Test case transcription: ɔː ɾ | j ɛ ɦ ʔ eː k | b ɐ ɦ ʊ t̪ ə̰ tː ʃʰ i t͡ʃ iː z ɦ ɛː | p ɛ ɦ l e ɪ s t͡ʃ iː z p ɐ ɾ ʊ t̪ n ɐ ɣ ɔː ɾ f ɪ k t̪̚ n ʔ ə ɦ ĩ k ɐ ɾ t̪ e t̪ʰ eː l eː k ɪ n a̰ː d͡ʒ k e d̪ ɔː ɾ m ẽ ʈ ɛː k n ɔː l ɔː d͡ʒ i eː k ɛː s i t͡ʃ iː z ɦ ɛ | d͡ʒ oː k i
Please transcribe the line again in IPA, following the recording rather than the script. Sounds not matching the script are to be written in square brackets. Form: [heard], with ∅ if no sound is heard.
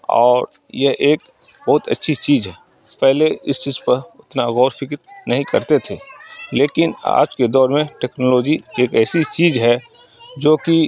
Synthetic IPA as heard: ɔː ɾ | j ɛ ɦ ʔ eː k | b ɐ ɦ ʊ t̪ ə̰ tː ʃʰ i t͡ʃ iː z ɦ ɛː | p ɛ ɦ l e ɪ s t͡ʃ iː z p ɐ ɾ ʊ t̪ n [a] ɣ ɔː ɾ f ɪ k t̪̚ n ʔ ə ɦ ĩ k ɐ ɾ t̪ e t̪ʰ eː l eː k ɪ n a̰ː d͡ʒ k e d̪ ɔː ɾ m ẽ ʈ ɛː k n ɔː l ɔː d͡ʒ i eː k ɛː s i t͡ʃ iː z ɦ ɛ | d͡ʒ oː k i